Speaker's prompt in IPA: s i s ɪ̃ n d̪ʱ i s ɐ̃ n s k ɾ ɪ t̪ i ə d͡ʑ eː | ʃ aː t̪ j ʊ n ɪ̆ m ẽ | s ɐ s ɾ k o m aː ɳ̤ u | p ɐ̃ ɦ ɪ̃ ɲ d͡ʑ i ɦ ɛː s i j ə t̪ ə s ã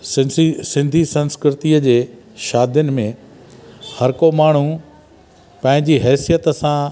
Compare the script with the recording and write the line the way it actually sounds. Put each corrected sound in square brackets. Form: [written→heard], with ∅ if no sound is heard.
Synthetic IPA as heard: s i s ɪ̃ n d̪ʱ i s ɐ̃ n s k ɾ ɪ t̪ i ə d͡ʑ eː | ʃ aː [t̪→d̪] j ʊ n ɪ̆ m ẽ | [s→h] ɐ [s→∅] ɾ k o m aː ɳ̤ u | p ɐ̃ ɦ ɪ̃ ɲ d͡ʑ i ɦ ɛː s i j ə t̪ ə s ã